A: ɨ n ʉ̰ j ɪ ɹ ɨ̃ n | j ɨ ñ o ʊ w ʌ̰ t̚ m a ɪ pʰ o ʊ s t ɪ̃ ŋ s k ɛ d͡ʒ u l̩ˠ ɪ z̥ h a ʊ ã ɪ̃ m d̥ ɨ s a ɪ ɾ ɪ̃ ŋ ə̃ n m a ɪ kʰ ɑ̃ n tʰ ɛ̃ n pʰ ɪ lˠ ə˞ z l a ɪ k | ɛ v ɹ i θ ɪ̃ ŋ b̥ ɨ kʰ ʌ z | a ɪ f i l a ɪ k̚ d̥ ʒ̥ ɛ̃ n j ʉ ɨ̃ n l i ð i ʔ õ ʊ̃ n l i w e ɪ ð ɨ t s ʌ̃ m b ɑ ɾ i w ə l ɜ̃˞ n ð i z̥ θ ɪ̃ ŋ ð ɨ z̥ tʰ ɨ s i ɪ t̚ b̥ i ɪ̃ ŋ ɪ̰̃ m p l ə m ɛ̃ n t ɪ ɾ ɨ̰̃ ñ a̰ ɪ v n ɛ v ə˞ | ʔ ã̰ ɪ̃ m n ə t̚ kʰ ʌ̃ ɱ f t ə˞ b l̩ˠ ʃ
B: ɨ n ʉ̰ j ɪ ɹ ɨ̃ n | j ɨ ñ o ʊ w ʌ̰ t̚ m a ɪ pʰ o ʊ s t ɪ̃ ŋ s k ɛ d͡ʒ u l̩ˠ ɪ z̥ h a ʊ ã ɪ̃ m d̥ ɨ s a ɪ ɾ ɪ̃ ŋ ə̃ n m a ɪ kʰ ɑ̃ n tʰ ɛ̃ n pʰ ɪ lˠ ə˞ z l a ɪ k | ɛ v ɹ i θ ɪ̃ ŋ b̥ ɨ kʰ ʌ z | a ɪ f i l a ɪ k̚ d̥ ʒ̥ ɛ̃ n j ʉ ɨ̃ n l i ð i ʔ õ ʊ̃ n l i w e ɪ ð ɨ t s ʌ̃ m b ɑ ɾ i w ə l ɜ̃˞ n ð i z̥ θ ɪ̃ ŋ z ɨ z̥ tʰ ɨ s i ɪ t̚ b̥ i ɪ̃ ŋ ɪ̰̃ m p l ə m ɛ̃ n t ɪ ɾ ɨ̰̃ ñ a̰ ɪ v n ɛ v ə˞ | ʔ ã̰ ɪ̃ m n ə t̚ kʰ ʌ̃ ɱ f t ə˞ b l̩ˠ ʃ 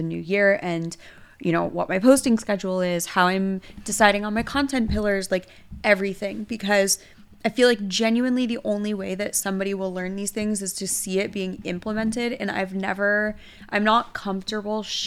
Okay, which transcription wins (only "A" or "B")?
B